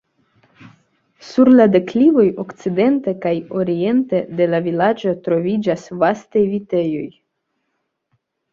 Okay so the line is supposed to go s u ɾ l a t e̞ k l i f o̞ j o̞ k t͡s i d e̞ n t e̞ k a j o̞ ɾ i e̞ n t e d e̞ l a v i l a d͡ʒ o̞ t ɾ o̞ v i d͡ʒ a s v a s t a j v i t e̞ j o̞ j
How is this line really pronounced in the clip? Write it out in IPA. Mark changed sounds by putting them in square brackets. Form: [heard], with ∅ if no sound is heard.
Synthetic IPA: s u ɾ l a [d] e̞ k l i [v] o̞ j o̞ k t͡s i d e̞ n t e̞ k a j o̞ ɾ i e̞ n t e d e̞ l a v i l a d͡ʒ o̞ t ɾ o̞ v i d͡ʒ a s v a s t a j v i t e̞ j o̞ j

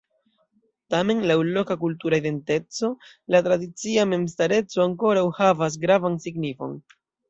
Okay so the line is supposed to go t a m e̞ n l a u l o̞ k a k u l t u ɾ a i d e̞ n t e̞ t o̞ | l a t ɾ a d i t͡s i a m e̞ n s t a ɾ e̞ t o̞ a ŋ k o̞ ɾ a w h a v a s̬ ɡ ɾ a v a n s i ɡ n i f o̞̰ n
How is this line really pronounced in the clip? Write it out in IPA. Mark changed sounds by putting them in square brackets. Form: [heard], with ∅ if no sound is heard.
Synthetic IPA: t a m e̞ n l a [w] l o̞ k a k u l t u ɾ a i d e̞ n t e̞ [t͡s] o̞ | l a t ɾ a d i t͡s i a m e̞ [m] s t a ɾ e̞ [t͡s] o̞ a ŋ k o̞ ɾ a w h a v a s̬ ɡ ɾ a v a n s i ɡ n i f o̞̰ n

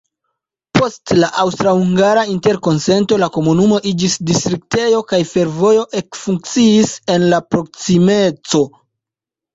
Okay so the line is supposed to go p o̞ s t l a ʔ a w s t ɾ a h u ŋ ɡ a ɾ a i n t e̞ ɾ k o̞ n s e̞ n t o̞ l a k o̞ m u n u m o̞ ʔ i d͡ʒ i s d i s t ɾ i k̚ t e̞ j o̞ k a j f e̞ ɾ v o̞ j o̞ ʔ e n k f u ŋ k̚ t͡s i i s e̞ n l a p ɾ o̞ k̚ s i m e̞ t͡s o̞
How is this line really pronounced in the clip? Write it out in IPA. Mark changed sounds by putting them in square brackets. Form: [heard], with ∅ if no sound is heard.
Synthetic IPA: p o̞ s t l a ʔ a w s t ɾ a h u ŋ ɡ a ɾ a i n t e̞ ɾ k o̞ n s e̞ n t o̞ l a k o̞ m u n u m o̞ ʔ i d͡ʒ i s d i s t ɾ i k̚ t e̞ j o̞ k a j f e̞ ɾ v o̞ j o̞ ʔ e [∅] k f u ŋ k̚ t͡s i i s e̞ n l a p ɾ o̞ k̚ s i m e̞ t͡s o̞

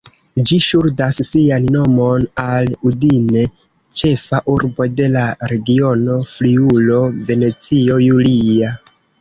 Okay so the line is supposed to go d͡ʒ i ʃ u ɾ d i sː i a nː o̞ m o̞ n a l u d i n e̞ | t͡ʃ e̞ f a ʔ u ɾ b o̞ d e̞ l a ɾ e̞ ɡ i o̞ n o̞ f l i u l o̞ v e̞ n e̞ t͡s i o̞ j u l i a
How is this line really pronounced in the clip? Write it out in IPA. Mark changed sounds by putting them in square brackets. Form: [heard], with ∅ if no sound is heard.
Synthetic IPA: d͡ʒ i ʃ u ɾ d [a] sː i a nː o̞ m o̞ n a l u d i n e̞ | t͡ʃ e̞ f a ʔ u ɾ b o̞ d e̞ l a ɾ e̞ ɡ i o̞ n o̞ f l i u l o̞ v e̞ n e̞ t͡s i o̞ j u l i a

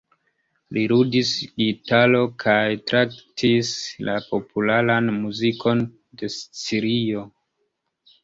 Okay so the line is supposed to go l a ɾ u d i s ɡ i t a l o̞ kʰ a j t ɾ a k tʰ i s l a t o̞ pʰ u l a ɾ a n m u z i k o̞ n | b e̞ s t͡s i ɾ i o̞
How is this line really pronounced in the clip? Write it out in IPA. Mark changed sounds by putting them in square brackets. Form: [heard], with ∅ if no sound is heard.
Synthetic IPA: l [i] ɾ u d i s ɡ i t a l o̞ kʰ a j t ɾ a k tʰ i s l a [p] o̞ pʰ u l a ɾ a n m u z i k o̞ n | [d] e̞ s t͡s i ɾ i o̞

